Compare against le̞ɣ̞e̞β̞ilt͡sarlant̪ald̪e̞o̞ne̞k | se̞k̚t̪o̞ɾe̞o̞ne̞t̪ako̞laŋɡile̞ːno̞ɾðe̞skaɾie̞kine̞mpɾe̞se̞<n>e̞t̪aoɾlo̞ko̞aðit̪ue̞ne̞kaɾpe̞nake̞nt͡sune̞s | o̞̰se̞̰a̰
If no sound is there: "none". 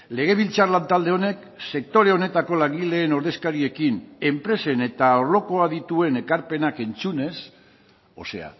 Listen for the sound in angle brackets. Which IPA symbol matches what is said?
n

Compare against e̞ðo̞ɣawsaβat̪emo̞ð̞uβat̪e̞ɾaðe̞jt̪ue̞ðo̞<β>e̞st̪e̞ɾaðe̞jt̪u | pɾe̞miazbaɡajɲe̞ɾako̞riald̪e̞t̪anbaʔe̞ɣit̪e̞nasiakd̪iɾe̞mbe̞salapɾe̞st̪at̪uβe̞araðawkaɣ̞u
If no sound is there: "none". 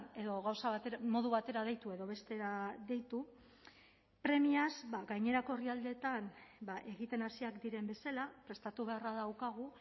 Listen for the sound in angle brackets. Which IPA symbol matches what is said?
β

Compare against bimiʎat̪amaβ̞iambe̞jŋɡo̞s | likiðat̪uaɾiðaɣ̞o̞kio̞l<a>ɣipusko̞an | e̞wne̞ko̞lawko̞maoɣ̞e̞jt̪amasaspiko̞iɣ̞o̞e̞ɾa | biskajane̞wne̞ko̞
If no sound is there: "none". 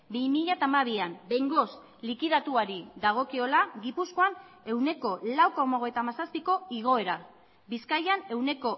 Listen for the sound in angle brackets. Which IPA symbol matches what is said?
a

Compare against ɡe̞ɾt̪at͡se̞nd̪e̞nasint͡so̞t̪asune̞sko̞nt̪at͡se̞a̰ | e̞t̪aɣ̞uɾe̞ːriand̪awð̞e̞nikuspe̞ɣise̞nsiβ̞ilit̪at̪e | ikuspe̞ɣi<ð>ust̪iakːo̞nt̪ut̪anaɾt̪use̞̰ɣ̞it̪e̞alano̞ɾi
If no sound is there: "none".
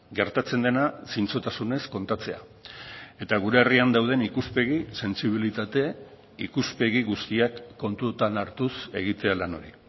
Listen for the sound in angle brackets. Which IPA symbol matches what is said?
ɣ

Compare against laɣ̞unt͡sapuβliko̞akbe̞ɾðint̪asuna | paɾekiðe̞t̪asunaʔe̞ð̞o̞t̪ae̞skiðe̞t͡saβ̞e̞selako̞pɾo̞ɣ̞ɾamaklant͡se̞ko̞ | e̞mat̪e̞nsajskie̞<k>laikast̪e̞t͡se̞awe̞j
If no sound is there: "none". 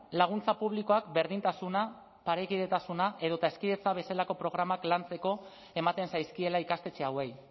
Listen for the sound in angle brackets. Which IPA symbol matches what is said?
none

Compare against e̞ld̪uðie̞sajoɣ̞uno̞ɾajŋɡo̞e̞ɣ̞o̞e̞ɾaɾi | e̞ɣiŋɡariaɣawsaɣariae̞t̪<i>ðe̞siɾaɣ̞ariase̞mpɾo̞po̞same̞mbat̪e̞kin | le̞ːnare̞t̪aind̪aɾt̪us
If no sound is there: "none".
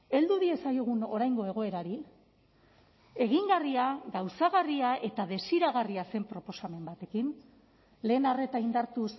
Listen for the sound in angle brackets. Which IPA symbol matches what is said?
a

